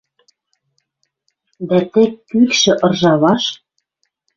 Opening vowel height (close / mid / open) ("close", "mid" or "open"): open